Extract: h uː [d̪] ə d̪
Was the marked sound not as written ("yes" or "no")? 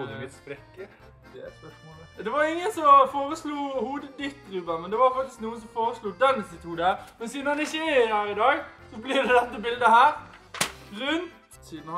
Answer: no